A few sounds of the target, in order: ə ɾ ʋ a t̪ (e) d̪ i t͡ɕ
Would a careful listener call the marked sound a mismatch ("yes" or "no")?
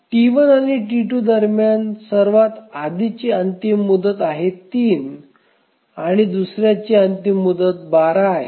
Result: yes